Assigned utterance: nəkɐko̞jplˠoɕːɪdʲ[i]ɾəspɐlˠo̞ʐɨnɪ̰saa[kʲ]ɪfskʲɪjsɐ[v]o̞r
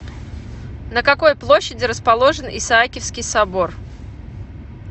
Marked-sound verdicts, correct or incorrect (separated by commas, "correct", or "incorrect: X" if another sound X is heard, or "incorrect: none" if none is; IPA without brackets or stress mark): incorrect: ɪ, correct, incorrect: b